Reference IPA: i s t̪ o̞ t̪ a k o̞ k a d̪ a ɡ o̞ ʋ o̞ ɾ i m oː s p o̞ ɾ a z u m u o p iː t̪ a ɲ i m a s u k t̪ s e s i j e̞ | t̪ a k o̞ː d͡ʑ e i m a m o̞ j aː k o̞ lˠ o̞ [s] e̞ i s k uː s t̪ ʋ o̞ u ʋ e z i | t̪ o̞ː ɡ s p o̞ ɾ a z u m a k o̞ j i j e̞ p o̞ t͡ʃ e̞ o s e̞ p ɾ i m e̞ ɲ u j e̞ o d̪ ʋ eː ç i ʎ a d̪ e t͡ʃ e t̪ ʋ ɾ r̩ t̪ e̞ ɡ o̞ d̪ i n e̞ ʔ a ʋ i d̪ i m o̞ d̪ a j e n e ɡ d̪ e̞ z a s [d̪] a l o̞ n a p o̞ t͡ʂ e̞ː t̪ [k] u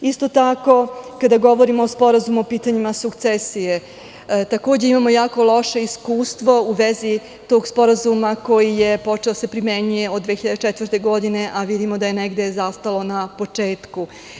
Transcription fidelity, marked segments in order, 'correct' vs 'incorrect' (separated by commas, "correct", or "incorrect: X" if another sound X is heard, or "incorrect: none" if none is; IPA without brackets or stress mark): incorrect: ʃ, incorrect: t̪, correct